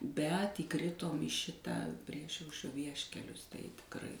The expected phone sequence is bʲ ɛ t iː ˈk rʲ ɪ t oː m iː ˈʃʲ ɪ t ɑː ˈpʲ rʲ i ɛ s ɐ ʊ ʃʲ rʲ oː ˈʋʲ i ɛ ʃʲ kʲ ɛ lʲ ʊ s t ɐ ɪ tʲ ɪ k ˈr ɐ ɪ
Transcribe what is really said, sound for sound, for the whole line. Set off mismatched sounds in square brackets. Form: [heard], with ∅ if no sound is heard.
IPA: bʲ ɛ t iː ˈk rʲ ɪ t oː m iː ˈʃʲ ɪ t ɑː ˈpʲ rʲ i ɛ [ʃ] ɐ ʊ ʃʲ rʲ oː ˈʋʲ i ɛ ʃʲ kʲ ɛ lʲ ʊ s t ɐ ɪ tʲ ɪ k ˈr ɐ ɪ